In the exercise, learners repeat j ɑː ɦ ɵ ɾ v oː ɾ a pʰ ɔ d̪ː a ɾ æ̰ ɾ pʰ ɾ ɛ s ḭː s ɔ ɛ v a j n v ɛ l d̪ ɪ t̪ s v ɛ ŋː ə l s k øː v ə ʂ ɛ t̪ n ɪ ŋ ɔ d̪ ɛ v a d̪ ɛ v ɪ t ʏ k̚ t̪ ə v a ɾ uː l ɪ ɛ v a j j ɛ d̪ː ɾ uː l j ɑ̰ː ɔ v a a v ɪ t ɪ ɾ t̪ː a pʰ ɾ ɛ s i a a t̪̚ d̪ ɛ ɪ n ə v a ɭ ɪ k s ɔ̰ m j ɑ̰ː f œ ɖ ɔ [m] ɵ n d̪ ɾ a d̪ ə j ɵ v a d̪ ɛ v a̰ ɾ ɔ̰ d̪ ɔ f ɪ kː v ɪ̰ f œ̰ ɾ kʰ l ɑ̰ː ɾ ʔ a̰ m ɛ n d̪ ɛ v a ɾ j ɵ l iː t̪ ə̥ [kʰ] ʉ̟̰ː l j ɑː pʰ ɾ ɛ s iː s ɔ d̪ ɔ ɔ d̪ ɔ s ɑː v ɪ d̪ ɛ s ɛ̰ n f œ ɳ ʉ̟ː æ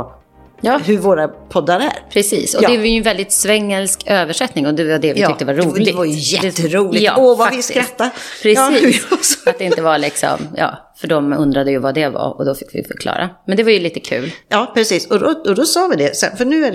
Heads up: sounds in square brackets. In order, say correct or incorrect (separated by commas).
correct, correct